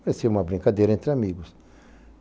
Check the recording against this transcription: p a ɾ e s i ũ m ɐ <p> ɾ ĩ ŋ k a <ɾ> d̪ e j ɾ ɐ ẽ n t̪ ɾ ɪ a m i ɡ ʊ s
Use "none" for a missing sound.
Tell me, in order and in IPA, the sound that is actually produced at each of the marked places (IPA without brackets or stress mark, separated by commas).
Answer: b, none